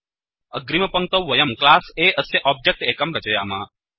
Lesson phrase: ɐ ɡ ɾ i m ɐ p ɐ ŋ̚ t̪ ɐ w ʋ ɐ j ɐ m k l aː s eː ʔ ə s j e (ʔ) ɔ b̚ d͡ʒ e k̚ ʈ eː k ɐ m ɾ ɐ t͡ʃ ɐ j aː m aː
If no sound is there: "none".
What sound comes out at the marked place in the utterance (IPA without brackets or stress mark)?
ʔ